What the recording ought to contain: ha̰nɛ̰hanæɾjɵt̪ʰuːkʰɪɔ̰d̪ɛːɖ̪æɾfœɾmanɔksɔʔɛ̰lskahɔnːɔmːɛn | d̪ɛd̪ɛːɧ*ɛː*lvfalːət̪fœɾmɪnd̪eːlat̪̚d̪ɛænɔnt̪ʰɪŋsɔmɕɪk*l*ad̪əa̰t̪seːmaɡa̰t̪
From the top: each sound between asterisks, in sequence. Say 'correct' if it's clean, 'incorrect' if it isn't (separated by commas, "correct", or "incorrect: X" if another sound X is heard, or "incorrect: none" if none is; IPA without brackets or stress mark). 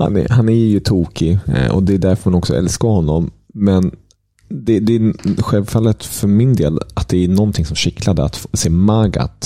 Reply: incorrect: ɛ, correct